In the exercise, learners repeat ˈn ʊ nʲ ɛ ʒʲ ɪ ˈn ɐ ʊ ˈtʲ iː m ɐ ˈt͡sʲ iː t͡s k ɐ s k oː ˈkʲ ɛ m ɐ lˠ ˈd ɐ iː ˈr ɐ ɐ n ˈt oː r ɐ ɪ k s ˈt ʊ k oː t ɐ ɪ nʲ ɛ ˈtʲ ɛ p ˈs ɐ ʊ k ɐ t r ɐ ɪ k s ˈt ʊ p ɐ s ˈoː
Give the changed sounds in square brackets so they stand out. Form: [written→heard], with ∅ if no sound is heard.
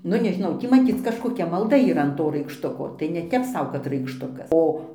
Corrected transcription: ˈn ʊ nʲ ɛ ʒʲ ɪ ˈn ɐ ʊ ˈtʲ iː m ɐ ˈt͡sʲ iː t͡s k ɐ [s→ʃ] k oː ˈkʲ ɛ m ɐ lˠ ˈd ɐ iː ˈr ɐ ɐ n ˈt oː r ɐ ɪ k [s→ʃ] ˈt ʊ k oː t ɐ ɪ nʲ ɛ ˈtʲ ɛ p ˈs ɐ ʊ k ɐ t r ɐ ɪ k [s→ʃ] ˈt ʊ [p→k] ɐ s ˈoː